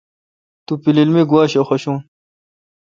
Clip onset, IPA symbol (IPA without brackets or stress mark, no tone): t̪